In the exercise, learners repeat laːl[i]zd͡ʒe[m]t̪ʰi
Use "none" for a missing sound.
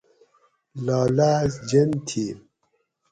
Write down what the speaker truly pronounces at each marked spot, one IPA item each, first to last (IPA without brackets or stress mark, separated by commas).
a, n